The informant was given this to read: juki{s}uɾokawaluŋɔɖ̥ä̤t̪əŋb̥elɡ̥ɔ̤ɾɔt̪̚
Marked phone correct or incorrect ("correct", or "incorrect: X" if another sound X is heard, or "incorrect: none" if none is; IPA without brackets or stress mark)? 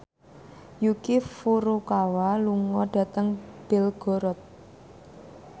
incorrect: f